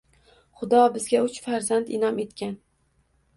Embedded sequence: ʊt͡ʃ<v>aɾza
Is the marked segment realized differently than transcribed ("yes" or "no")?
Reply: yes